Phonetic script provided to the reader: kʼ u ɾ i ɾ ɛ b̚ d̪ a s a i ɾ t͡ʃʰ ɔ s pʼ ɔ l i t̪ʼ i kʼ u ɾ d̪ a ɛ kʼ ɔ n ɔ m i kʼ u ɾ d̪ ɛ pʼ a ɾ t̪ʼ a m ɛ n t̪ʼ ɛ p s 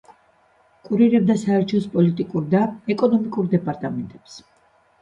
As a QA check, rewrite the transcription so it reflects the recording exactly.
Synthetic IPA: kʼ u ɾ i ɾ ɛ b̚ d̪ a s a ɛ ɾ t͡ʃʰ ɔ s pʼ ɔ l i t̪ʼ i kʼ u ɾ d̪ a ɛ kʼ ɔ n ɔ m i kʼ u ɾ d̪ ɛ pʼ a ɾ t̪ʼ a m ɛ n t̪ʼ ɛ p s